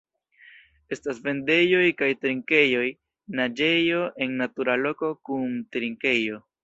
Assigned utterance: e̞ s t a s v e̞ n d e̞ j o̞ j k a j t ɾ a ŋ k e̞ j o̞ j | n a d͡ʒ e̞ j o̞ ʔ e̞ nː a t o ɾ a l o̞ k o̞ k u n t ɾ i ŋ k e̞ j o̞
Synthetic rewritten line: e̞ s t a s v e̞ n d e̞ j o̞ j k a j t ɾ i ŋ k e̞ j o̞ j | n a d͡ʒ e̞ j o̞ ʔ e̞ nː a t u ɾ a l o̞ k o̞ k u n t ɾ i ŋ k e̞ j o̞